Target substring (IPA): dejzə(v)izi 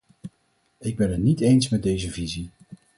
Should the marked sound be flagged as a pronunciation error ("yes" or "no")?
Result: no